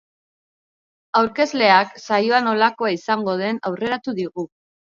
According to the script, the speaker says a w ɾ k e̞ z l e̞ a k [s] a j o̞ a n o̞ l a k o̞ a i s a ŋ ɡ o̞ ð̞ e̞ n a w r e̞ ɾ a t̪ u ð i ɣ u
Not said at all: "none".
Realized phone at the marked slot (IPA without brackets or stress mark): s